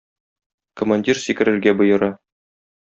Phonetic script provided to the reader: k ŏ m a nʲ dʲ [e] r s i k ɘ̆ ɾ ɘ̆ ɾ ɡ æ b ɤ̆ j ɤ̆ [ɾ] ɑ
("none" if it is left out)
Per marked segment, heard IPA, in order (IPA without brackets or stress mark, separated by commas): i, ɾ